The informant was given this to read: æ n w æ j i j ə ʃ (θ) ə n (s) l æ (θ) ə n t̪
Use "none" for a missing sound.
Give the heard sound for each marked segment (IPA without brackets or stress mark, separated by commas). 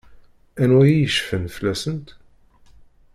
f, f, s